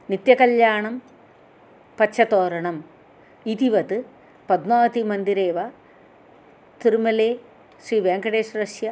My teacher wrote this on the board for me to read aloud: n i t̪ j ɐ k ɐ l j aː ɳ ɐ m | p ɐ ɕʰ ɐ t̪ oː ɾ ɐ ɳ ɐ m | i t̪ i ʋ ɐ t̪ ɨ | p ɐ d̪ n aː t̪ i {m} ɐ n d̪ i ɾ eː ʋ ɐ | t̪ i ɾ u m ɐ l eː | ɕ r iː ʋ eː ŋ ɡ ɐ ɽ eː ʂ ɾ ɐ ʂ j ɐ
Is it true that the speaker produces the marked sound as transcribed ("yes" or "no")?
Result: yes